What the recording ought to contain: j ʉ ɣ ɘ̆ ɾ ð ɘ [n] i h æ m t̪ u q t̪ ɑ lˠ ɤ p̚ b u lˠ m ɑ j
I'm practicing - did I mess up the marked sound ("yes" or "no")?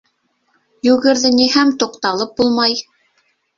no